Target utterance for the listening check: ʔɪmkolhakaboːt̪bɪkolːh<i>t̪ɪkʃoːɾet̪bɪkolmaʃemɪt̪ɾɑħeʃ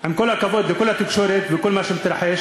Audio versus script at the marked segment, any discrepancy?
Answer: yes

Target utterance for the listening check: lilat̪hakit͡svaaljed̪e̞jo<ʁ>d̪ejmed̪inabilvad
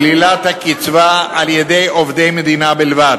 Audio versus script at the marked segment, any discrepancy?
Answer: yes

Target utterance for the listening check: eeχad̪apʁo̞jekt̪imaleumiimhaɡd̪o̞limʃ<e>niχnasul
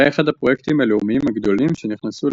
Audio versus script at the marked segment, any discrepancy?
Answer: no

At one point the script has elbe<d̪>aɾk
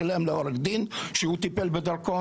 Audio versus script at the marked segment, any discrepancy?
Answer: no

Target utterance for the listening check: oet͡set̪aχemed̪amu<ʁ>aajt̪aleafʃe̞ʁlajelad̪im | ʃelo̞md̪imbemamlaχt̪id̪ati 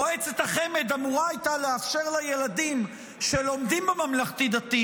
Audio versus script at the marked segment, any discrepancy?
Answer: no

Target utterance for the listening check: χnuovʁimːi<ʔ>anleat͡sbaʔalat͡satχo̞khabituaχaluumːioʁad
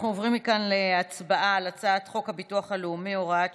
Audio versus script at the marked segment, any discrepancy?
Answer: yes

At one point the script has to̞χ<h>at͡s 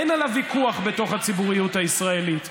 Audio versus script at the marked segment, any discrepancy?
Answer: no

